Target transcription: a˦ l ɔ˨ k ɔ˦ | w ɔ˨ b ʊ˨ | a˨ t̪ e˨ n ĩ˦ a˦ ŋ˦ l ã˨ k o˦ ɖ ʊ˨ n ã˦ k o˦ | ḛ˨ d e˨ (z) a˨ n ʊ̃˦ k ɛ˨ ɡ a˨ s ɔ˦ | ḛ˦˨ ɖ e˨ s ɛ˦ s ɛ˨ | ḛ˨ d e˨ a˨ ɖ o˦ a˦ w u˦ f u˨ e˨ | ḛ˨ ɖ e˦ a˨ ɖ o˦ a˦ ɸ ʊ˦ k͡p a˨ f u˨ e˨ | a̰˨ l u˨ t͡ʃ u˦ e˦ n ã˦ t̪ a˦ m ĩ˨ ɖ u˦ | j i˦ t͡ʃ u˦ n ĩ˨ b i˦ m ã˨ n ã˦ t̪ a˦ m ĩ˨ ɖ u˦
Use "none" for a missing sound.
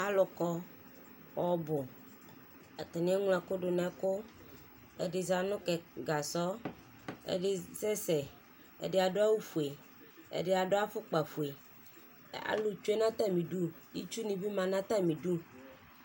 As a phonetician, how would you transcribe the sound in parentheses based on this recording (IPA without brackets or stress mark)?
z